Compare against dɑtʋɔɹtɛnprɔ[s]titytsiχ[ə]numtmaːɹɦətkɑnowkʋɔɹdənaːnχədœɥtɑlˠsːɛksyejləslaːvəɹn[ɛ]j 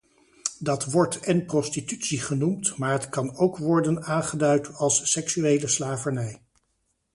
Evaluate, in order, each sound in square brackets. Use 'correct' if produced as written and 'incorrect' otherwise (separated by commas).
correct, correct, correct